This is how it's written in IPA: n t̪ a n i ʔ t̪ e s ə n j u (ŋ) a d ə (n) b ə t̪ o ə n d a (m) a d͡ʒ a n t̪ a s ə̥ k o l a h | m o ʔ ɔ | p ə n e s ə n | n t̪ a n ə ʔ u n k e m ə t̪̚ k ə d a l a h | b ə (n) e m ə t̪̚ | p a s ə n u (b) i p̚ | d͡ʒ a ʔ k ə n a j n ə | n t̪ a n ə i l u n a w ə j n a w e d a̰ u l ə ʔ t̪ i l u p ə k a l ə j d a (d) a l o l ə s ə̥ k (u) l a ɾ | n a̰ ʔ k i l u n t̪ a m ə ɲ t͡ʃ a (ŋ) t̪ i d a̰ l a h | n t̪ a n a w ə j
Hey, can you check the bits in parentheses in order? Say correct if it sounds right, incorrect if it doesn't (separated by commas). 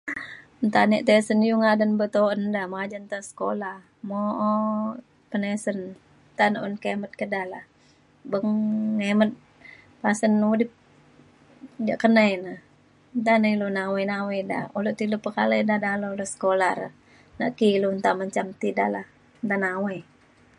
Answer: correct, correct, correct, incorrect, incorrect, correct, incorrect, incorrect